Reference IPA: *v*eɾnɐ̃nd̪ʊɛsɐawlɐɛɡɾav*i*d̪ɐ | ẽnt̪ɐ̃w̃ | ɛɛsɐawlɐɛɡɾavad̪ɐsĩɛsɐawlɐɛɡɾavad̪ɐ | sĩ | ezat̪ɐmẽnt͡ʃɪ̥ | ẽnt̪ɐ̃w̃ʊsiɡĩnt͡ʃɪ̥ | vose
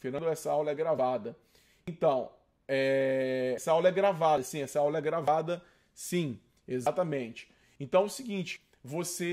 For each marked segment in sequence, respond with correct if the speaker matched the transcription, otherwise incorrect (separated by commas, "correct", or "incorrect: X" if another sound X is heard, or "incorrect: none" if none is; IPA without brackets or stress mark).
incorrect: f, incorrect: a